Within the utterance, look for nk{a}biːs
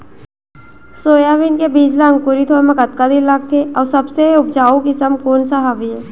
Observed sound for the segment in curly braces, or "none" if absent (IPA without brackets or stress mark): e